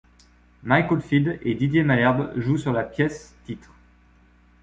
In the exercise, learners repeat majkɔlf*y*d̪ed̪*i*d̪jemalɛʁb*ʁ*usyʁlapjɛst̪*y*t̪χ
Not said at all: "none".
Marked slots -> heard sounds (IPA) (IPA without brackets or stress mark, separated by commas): i, i, ʒ, i